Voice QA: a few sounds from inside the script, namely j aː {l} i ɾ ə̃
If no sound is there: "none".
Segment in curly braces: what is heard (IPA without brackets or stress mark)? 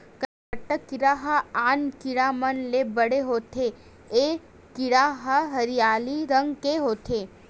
l